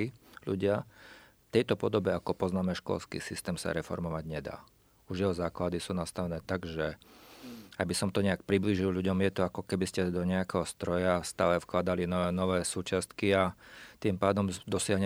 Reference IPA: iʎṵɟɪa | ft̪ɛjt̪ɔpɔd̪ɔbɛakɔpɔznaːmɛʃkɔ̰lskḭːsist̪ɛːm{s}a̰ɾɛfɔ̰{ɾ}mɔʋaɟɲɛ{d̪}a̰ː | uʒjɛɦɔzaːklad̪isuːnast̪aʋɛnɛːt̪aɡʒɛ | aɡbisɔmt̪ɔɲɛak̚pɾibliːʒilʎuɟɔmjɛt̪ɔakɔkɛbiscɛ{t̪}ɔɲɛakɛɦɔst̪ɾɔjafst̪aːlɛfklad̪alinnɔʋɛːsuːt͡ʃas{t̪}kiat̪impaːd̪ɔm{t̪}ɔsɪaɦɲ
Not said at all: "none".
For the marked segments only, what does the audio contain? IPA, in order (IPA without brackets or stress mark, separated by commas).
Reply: s, ɾ, d̪, d̪, t̪, d̪